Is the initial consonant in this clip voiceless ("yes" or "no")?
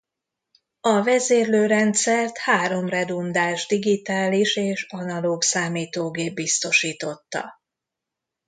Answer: no